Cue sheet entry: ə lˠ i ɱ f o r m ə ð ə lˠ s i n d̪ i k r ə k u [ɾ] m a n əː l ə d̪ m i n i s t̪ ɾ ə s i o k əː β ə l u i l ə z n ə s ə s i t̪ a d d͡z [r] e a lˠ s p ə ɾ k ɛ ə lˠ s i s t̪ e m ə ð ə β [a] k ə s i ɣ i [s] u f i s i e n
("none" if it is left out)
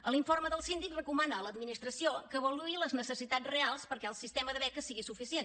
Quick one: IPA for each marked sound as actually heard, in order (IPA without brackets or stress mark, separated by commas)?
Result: none, r, ɛ, s